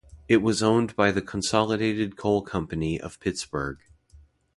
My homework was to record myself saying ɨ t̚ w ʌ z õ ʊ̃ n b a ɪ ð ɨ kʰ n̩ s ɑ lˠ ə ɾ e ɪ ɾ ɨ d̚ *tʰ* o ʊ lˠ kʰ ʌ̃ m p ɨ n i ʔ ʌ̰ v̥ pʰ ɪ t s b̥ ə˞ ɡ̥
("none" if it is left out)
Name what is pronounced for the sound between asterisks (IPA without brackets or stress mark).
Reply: kʰ